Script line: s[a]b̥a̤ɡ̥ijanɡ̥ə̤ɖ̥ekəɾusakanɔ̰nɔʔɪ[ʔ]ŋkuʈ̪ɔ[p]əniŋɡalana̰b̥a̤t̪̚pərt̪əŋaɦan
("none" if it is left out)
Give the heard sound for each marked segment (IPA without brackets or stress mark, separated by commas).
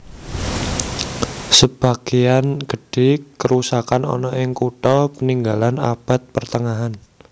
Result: ə, none, p